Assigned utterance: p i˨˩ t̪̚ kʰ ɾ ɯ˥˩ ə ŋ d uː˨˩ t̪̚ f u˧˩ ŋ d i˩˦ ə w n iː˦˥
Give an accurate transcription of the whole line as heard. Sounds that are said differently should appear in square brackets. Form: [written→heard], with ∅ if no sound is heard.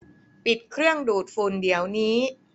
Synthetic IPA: p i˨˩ t̪̚ kʰ ɾ ɯ˥˩ ə ŋ d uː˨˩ t̪̚ f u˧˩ [ŋ→n] d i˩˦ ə w n iː˦˥